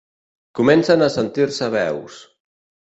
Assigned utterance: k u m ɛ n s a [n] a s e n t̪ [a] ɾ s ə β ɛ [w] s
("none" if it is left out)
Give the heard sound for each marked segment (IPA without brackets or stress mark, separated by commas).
n, i, w